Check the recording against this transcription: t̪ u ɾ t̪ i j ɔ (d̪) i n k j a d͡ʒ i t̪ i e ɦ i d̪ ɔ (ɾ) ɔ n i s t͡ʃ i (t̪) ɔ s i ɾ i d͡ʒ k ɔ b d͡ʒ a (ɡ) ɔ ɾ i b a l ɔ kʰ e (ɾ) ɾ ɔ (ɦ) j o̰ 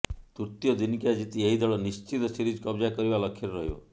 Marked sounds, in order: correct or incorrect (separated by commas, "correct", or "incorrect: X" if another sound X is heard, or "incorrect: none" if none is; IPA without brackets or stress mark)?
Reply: correct, incorrect: ɭ, correct, incorrect: k, correct, correct